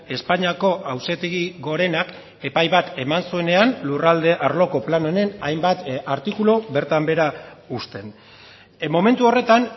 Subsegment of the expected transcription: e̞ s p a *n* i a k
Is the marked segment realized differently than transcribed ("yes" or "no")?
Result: yes